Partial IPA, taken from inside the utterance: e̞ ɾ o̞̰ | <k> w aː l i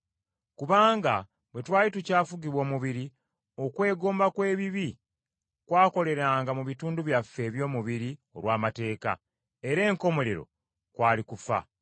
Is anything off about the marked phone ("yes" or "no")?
no